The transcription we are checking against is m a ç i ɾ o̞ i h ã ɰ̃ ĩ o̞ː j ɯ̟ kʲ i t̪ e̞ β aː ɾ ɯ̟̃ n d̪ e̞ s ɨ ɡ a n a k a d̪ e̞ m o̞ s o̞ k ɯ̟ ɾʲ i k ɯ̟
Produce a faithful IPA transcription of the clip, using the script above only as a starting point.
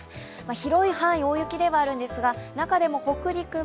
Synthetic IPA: m a ç i ɾ o̞ i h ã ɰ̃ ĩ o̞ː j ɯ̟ kʲ i d̪ e̞ β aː ɾ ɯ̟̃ n d̪ e̞ s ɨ ɡ a n a k a d̪ e̞ m o̞ h o̞ k ɯ̟ ɾʲ i k ɯ̟